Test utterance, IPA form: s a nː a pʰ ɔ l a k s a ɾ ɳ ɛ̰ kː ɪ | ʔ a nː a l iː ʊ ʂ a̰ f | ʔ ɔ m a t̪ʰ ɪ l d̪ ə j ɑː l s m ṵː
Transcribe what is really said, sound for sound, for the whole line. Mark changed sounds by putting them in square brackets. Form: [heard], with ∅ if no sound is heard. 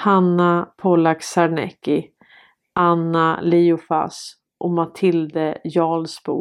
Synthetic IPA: [h] a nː a pʰ ɔ l a k s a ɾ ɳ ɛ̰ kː ɪ | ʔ a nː a l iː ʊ [f] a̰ [s] | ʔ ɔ m a t̪ʰ ɪ l d̪ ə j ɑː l s [b] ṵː